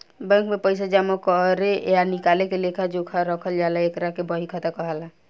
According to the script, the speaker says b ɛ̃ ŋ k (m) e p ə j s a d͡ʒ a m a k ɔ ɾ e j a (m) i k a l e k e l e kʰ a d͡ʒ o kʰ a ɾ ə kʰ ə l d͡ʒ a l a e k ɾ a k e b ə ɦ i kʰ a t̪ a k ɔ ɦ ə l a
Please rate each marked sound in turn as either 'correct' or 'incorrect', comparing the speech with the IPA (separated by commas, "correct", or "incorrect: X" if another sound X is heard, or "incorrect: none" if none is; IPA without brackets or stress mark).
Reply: correct, incorrect: n